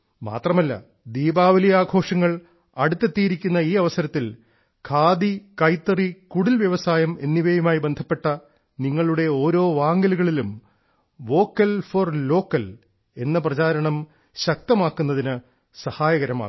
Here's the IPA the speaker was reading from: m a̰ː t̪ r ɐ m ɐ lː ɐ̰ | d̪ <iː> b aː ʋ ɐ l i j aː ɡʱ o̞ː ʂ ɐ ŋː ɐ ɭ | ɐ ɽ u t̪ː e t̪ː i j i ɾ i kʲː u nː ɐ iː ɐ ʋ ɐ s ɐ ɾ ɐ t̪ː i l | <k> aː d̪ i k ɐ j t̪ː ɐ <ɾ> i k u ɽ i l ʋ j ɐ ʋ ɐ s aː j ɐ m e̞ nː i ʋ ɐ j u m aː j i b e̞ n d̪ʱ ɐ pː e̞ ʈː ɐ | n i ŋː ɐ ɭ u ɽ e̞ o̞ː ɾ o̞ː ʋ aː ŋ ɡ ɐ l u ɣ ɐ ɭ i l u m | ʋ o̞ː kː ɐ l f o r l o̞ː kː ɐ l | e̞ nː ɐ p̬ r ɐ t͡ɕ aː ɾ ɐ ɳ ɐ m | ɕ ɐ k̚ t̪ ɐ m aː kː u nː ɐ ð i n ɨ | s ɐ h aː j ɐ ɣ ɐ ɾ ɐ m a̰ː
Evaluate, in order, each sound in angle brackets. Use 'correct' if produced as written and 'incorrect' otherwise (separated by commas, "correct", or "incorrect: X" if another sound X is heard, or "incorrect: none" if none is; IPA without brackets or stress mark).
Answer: correct, incorrect: kʰ, incorrect: r